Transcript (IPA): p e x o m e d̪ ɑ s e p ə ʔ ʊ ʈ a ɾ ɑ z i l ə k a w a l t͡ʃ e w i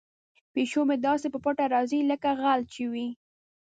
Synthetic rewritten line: p e ʃ o m e d̪ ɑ s e p ə p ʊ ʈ a ɾ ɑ z i l ə k a ɣ a l t͡ʃ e w i